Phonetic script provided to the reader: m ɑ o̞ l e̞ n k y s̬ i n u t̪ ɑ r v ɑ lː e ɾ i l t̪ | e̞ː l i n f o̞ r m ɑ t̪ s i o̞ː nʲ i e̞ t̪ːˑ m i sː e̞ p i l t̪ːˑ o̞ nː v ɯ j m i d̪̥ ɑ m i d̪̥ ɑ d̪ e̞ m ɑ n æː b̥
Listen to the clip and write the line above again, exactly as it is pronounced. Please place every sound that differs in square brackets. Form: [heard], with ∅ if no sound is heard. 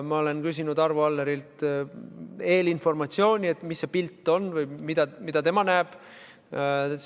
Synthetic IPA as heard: m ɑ o̞ l e̞ n k y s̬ i n u [d̪] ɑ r v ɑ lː e ɾ i l t̪ | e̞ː l i n f o̞ r m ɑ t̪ s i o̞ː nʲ i e̞ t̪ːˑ m i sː e̞ p i l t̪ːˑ o̞ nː v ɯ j m i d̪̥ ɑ m i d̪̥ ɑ [t̪] e̞ m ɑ n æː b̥